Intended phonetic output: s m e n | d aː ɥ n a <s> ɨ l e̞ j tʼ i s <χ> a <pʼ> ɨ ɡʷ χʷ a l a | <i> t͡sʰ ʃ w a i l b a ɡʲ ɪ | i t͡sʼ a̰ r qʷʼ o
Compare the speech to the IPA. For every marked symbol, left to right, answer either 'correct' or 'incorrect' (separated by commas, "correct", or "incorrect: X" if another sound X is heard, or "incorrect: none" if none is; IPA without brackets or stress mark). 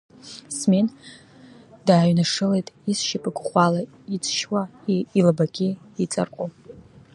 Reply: incorrect: ʂ, incorrect: ʃ, correct, correct